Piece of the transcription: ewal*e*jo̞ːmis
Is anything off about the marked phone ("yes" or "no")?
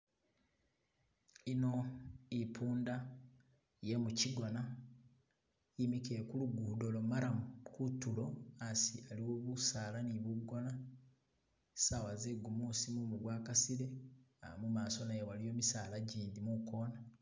yes